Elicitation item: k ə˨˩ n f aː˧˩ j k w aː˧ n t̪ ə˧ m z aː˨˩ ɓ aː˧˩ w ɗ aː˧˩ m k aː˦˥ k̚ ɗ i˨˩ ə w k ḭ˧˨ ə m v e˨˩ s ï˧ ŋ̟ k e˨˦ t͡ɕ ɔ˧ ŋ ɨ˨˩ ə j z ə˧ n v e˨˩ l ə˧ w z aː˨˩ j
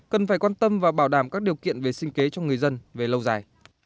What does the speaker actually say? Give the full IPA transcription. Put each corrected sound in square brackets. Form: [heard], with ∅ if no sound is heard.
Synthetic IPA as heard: k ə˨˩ n f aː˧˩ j k w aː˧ n t̪ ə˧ m [v] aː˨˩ ɓ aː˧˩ w ɗ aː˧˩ m k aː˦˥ k̚ ɗ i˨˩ ə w k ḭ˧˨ ə [n] v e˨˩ s ï˧ ŋ̟ k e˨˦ t͡ɕ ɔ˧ ŋ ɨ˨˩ ə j z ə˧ n v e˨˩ l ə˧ w z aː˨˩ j